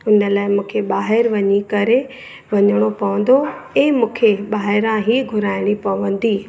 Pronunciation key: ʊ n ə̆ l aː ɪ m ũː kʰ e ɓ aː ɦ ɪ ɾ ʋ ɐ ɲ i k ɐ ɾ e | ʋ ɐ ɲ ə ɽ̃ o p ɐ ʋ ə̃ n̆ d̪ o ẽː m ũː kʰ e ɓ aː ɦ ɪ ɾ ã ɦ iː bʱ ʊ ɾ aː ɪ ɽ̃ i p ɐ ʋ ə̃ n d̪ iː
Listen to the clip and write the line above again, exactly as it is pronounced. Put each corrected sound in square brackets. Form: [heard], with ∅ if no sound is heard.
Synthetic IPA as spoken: ʊ n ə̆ l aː ɪ m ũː kʰ e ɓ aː ɦ ɪ ɾ ʋ ɐ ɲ i k ɐ ɾ e | ʋ ɐ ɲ ə ɽ̃ o p ɐ ʋ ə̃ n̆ d̪ o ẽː m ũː kʰ e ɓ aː ɦ ɪ ɾ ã ɦ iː [ɡʱ] ʊ ɾ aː ɪ ɽ̃ i p ɐ ʋ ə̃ n d̪ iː